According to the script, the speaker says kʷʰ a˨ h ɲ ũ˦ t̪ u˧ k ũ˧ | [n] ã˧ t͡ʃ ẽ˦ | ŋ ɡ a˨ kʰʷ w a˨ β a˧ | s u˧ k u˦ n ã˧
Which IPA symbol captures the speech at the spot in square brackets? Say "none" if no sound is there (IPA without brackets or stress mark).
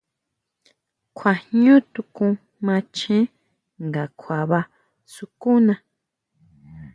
m